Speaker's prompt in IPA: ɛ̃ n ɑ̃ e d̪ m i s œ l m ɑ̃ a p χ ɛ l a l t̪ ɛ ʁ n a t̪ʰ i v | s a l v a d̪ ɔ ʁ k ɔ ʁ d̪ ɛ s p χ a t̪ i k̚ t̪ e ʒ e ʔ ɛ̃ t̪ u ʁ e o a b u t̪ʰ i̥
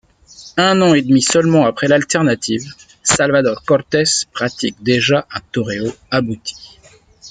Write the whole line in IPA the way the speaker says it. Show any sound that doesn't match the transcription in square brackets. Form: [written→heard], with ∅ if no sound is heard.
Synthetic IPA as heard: ɛ̃ n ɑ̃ e d̪ m i s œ l m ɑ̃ a p χ ɛ l a l t̪ ɛ ʁ n a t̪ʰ i v | s a l v a d̪ ɔ ʁ k ɔ ʁ [d̪→t̪] ɛ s p χ a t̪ i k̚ [t̪→d̪] e ʒ [e→a] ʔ ɛ̃ t̪ [u→ɔ] ʁ e o a b u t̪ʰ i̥